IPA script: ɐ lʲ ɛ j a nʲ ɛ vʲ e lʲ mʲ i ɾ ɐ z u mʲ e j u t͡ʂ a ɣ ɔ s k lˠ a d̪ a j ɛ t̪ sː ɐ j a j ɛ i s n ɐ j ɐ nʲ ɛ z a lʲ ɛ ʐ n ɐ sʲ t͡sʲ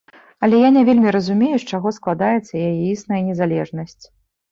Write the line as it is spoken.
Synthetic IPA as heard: ɐ lʲ ɛ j a nʲ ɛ vʲ e lʲ mʲ i ɾ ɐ z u mʲ e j u t͡ʂ a ɣ ɔ s k lˠ a d̪ a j ɛ t̪ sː ɐ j a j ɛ i s n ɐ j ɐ nʲ ɛ z a lʲ ɛ ʐ n ɐ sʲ t͡sʲ